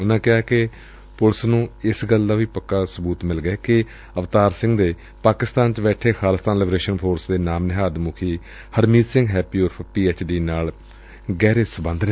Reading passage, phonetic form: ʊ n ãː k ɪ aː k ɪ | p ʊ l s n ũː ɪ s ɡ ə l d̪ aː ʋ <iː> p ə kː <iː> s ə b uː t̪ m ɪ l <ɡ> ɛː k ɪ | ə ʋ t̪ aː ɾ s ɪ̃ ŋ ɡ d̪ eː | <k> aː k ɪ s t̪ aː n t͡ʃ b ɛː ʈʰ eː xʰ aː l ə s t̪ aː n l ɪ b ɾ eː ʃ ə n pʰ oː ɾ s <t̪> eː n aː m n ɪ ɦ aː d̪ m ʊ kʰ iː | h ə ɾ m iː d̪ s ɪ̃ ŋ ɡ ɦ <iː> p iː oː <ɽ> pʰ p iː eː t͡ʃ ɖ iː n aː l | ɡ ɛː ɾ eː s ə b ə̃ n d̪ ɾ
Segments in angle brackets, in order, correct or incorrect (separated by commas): correct, incorrect, correct, incorrect, incorrect, incorrect, incorrect